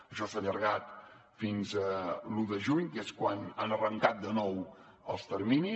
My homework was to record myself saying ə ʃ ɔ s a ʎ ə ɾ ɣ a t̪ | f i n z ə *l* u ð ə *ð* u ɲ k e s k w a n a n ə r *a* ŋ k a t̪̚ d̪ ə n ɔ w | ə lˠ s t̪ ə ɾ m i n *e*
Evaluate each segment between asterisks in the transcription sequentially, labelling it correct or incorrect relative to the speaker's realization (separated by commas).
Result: correct, incorrect, incorrect, incorrect